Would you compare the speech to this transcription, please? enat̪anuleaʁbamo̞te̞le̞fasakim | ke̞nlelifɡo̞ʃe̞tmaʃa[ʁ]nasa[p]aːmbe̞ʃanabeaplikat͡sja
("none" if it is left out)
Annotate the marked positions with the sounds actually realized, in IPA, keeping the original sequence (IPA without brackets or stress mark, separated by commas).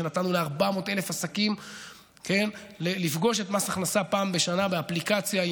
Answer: χ, p